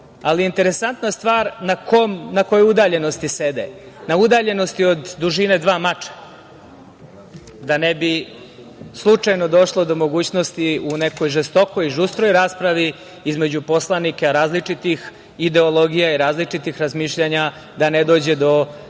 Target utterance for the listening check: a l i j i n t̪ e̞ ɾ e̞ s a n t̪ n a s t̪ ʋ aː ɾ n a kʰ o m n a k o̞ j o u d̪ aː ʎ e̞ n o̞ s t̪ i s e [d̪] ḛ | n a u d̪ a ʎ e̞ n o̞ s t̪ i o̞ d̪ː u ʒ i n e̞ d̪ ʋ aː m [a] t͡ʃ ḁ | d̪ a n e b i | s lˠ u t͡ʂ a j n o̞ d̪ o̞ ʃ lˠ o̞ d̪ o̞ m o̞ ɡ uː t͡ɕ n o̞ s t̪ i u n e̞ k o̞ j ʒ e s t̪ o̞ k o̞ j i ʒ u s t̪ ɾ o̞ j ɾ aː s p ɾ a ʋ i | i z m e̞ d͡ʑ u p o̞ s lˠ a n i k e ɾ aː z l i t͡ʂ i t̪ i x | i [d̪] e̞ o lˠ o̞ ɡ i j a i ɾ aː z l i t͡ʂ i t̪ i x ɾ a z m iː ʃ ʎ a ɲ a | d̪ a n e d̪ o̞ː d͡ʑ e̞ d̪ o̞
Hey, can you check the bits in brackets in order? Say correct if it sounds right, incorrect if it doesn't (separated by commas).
correct, correct, correct